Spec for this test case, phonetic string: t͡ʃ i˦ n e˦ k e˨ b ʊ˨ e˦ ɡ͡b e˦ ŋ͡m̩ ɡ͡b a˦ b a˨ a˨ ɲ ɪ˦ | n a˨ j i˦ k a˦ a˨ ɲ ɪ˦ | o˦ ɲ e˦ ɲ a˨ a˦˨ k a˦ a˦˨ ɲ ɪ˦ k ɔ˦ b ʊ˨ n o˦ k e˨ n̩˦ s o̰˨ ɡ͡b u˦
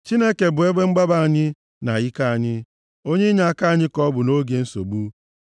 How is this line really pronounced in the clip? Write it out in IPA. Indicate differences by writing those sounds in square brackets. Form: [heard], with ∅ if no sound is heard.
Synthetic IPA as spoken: t͡ʃ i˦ n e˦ k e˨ b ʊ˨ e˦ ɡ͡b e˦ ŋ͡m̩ ɡ͡b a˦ b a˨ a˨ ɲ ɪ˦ | n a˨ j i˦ k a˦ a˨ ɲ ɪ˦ | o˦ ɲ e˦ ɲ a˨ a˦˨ k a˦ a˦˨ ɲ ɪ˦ k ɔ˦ b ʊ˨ n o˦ [ɡ] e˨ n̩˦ s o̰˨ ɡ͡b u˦